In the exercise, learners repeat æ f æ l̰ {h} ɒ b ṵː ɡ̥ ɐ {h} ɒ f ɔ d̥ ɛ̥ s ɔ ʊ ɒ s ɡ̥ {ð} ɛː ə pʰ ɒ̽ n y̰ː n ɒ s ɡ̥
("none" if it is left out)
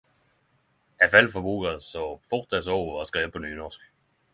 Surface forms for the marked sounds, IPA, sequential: f, s, ʁ

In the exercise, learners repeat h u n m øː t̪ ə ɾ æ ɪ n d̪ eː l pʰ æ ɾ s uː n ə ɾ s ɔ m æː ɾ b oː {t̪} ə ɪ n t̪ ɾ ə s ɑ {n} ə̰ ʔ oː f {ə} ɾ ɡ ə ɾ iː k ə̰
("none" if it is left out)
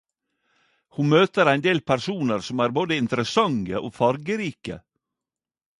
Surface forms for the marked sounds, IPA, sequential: d̪, ŋ, ɑ

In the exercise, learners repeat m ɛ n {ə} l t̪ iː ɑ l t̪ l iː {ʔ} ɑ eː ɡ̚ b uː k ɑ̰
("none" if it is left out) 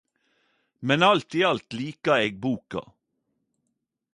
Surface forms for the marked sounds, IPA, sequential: ɑ, k

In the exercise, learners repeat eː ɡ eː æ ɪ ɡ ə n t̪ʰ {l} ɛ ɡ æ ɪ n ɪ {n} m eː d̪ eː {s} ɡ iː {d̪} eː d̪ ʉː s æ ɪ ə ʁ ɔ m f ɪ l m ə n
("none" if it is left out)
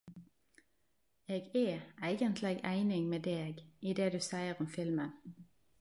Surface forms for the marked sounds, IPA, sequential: l, ŋ, none, d̪

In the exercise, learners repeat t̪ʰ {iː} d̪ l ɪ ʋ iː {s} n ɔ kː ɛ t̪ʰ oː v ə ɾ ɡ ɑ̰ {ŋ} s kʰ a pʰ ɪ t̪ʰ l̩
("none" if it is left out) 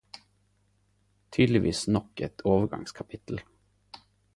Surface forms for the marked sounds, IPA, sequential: yː, s, ŋ

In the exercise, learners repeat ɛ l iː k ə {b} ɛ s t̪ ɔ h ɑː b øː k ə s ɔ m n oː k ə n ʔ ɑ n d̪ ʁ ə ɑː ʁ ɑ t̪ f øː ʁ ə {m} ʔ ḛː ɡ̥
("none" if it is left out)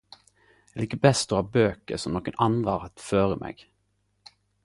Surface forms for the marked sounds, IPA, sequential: b, m

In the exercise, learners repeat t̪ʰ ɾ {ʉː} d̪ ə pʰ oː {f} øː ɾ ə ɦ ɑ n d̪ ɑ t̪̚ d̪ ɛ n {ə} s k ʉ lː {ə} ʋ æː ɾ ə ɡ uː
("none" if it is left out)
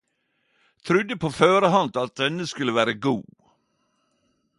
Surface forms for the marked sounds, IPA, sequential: ʉ, f, ə, ə

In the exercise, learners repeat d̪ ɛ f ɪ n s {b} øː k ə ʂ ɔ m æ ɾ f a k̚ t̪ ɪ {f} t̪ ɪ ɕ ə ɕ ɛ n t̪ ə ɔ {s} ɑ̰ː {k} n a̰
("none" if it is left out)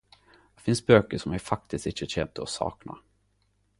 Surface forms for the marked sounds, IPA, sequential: b, s, s, k

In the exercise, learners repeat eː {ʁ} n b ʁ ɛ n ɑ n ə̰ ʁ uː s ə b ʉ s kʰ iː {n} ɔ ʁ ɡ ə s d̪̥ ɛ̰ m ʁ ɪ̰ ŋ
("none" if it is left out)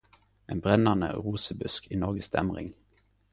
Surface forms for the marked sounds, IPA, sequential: none, n

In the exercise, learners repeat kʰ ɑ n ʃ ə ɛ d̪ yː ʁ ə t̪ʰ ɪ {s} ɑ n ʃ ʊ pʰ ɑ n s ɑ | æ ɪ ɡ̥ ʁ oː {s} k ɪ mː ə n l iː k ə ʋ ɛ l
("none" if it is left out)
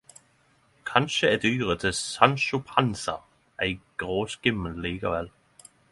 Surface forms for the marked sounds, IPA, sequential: s, s

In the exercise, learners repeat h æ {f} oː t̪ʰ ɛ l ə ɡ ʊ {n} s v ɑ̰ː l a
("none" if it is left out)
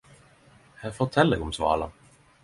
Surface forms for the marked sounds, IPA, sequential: f, m

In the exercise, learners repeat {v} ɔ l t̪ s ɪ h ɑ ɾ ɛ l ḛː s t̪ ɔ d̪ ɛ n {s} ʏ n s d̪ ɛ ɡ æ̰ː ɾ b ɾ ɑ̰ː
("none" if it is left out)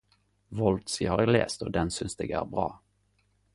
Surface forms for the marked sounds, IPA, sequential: v, s

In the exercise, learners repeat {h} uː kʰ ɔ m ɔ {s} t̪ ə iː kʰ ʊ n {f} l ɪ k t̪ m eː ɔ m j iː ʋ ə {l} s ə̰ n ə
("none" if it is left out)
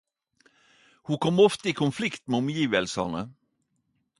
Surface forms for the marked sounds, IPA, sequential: h, f, f, l

